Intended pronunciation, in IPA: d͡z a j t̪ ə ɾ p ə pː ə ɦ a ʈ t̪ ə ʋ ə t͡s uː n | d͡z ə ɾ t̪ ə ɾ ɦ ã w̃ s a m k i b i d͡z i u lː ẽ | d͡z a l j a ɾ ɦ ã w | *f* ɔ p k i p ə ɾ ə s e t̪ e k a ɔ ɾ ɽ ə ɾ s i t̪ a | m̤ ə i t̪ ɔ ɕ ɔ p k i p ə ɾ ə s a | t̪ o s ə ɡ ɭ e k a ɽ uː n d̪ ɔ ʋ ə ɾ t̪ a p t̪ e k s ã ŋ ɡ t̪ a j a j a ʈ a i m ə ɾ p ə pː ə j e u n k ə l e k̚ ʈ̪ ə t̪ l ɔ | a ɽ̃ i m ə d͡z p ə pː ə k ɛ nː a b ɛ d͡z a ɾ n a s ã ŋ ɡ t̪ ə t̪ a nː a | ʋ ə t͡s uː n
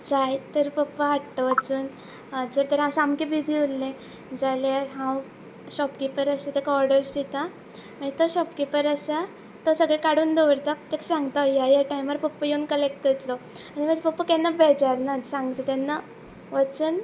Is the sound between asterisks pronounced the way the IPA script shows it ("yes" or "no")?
no